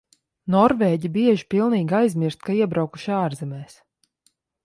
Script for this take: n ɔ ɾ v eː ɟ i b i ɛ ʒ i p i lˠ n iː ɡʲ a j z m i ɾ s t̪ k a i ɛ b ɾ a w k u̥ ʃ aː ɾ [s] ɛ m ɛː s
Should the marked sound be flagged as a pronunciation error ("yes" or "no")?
yes